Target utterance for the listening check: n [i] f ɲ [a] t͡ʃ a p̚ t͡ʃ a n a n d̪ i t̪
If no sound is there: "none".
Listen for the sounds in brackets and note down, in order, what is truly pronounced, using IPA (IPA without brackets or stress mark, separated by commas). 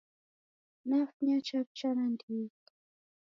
a, a